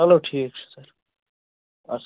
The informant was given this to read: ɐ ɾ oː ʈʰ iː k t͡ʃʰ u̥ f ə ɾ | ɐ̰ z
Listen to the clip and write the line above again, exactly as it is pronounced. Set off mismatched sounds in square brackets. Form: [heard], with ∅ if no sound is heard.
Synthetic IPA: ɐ [l] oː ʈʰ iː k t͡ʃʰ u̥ [s] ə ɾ | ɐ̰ [s]